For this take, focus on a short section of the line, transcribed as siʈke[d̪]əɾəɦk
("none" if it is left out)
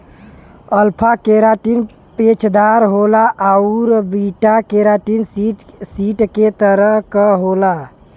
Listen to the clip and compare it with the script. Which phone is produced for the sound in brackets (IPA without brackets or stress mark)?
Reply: t̪